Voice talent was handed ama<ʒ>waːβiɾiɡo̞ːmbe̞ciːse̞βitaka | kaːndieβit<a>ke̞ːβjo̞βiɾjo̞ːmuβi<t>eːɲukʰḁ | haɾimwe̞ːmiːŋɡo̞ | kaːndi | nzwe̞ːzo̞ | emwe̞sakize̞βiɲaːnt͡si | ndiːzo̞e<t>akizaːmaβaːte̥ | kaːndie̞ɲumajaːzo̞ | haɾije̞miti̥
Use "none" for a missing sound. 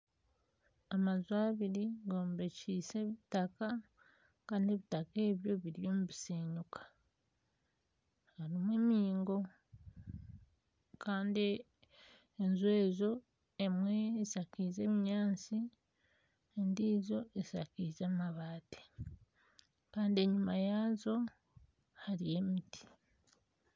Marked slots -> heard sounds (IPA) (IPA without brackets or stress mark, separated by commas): z, a, s, s